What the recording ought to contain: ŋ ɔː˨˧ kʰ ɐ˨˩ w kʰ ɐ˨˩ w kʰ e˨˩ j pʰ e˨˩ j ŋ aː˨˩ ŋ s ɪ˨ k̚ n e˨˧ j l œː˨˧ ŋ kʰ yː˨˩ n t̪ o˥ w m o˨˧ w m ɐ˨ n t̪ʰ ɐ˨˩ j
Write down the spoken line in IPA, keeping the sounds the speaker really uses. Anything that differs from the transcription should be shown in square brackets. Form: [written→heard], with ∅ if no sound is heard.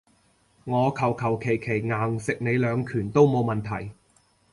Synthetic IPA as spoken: ŋ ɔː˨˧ kʰ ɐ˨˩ w kʰ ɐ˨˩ w kʰ e˨˩ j [pʰ→kʰ] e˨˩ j ŋ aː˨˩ ŋ s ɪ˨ k̚ n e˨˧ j l œː˨˧ ŋ kʰ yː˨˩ n t̪ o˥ w m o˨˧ w m ɐ˨ n t̪ʰ ɐ˨˩ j